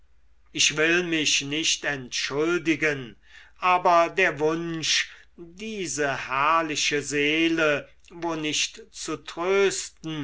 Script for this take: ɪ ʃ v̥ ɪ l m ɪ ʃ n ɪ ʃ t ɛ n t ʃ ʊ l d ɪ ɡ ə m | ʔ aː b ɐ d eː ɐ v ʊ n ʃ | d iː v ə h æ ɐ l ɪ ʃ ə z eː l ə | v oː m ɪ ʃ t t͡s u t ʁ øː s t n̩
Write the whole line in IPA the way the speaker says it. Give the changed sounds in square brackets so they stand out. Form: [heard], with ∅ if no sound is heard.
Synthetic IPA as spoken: ɪ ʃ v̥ ɪ l m ɪ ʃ n ɪ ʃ t ɛ n t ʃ ʊ l d ɪ ɡ ə [n] | ʔ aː b ɐ d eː ɐ v ʊ n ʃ | d iː [z] ə h æ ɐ l ɪ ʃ ə z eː l ə | v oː [n] ɪ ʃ t t͡s u t ʁ øː s t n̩